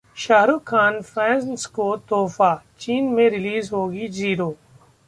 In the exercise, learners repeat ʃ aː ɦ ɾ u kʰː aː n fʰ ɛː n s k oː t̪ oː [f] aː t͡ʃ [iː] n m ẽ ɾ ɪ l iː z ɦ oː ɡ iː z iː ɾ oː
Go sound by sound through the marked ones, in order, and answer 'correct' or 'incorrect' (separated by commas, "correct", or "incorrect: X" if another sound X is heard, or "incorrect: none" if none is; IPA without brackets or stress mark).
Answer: correct, correct